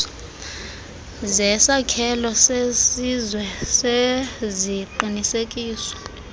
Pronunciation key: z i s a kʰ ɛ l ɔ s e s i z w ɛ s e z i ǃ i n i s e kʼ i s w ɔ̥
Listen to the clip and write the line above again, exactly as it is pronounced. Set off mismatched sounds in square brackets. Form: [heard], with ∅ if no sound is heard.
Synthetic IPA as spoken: z [ɛ] s a kʰ ɛ l ɔ s e s i z w ɛ s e z i ǃ i n i s e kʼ [iː] s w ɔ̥